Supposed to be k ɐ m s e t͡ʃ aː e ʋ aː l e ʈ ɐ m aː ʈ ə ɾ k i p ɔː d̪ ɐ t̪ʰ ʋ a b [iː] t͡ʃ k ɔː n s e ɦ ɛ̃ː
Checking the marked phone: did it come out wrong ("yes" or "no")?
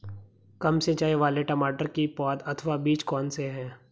no